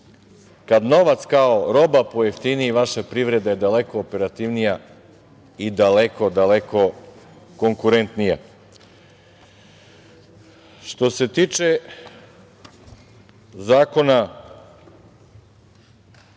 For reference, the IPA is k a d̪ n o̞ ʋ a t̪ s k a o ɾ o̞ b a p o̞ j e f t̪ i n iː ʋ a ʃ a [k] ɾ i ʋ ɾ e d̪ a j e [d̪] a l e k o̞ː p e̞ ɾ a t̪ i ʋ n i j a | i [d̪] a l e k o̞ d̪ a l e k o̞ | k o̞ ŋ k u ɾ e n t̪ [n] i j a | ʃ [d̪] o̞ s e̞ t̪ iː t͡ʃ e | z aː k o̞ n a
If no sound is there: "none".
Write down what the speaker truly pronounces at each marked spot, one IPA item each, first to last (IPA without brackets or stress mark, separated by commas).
p, d̪, d̪, n, t̪